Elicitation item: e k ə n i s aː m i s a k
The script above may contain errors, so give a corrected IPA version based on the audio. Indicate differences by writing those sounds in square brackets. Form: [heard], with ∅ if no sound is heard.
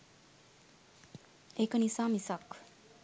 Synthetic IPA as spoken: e k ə n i s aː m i s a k